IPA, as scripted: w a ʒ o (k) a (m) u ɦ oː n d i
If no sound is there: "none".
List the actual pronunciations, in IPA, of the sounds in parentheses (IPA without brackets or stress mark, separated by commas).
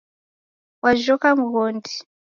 k, m